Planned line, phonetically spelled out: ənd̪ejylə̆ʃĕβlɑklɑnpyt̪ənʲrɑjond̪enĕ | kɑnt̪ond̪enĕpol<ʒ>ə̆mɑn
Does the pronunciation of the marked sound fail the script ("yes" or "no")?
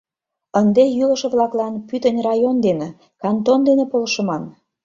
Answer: yes